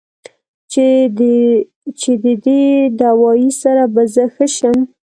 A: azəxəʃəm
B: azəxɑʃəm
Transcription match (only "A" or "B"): A